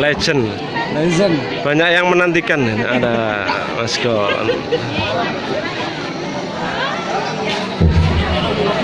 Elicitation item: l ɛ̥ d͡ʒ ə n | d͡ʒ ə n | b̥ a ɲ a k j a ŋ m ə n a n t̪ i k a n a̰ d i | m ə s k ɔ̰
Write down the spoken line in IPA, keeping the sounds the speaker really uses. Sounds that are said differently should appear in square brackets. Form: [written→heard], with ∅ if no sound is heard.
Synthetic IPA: l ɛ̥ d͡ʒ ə n | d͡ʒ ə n | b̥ a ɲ a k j a ŋ m ə n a n t̪ i k a n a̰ d [i→a] | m [ə→a] s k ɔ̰